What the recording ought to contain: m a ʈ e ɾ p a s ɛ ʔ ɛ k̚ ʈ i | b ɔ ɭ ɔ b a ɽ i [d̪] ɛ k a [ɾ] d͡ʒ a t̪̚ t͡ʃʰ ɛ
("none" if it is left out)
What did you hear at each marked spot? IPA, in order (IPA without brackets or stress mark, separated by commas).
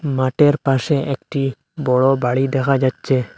d̪, none